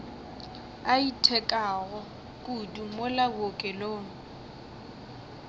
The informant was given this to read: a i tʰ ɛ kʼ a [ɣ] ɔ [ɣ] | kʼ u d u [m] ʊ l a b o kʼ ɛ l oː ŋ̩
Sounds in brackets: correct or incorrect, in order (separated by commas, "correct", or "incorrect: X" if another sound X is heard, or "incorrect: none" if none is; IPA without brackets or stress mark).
correct, incorrect: none, correct